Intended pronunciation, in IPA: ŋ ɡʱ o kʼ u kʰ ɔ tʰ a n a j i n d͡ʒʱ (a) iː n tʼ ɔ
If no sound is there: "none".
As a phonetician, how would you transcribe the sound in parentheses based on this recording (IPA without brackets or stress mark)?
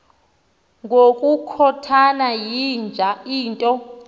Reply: a